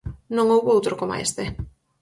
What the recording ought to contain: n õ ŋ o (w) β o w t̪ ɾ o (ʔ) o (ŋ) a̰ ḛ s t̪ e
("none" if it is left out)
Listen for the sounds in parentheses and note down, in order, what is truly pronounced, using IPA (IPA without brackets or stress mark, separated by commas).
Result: w, k, m